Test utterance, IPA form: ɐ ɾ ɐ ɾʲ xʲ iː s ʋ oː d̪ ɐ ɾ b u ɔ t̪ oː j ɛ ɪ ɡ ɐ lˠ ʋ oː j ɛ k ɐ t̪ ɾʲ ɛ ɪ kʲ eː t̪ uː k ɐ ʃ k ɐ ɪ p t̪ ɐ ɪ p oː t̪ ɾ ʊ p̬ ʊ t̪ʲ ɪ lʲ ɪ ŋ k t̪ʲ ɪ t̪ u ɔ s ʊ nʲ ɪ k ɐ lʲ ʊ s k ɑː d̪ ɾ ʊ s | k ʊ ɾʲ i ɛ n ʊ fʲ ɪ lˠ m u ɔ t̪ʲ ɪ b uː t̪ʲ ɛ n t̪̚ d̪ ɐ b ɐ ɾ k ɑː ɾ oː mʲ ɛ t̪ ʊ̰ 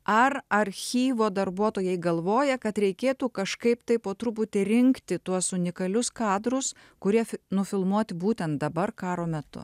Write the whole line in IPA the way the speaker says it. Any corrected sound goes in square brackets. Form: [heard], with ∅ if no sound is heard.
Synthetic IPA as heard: ɐ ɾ ɐ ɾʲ xʲ iː [∅] ʋ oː d̪ ɐ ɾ b u ɔ t̪ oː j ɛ ɪ ɡ ɐ lˠ ʋ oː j ɛ k ɐ t̪ ɾʲ ɛ ɪ kʲ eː t̪ uː k ɐ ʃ k ɐ ɪ p t̪ ɐ ɪ p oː t̪ ɾ ʊ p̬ ʊ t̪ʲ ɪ [ɾʲ] ɪ ŋ k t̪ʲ ɪ t̪ u ɔ s ʊ nʲ ɪ k ɐ lʲ ʊ s k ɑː d̪ ɾ ʊ s | k ʊ ɾʲ i ɛ n ʊ fʲ ɪ lˠ m u ɔ t̪ʲ ɪ b uː t̪ʲ ɛ n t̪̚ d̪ ɐ b ɐ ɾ k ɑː ɾ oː mʲ ɛ t̪ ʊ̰